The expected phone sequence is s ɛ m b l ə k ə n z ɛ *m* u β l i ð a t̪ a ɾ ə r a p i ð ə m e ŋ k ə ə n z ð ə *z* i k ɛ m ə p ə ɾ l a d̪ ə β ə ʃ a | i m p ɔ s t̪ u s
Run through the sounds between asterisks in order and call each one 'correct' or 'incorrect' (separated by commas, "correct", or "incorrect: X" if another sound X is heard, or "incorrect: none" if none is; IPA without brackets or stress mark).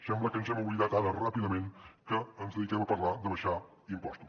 correct, incorrect: ð